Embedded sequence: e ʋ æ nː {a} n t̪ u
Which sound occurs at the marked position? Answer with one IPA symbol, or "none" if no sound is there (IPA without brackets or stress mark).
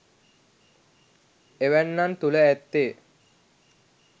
a